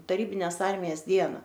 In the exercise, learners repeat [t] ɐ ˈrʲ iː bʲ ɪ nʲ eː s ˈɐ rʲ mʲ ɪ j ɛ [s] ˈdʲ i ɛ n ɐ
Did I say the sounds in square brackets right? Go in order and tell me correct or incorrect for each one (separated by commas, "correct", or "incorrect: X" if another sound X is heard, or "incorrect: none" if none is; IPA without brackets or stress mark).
correct, correct